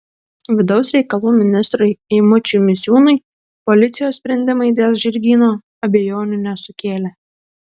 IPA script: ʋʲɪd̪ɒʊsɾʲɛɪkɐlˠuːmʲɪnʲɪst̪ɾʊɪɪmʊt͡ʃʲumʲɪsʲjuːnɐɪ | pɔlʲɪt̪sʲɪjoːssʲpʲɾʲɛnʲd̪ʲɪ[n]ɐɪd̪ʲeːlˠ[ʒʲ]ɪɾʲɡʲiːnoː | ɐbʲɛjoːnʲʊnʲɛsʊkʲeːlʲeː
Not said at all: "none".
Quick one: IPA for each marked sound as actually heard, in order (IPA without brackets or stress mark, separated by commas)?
m, ʒʲ